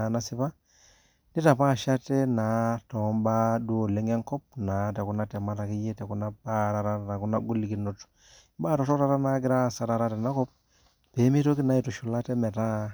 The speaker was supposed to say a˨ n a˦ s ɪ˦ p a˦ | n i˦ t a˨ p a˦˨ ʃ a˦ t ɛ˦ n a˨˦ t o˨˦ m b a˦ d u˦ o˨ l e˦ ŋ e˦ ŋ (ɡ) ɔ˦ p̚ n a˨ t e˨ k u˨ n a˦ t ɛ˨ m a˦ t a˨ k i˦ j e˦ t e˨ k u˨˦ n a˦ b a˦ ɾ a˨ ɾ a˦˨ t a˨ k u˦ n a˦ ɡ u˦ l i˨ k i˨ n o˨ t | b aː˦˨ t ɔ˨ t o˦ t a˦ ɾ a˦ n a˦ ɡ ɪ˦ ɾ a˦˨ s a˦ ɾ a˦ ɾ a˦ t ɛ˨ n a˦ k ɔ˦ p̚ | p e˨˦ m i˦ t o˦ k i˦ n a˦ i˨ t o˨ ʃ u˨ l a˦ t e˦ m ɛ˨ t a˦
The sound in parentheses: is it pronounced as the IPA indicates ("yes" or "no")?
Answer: no